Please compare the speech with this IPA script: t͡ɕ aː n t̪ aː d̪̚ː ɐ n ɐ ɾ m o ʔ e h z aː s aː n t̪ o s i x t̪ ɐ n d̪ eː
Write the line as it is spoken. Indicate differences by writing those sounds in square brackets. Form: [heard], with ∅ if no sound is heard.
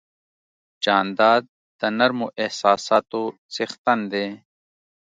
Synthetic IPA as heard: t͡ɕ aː n [d̪] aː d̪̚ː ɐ n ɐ ɾ m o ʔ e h [s] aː s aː [∅] t̪ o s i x t̪ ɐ n d̪ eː